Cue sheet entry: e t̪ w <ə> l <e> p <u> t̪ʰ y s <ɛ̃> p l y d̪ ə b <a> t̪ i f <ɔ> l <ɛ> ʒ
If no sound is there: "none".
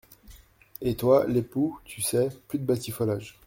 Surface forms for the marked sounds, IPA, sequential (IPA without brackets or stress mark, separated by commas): a, e, u, ɛ, a, ɔ, a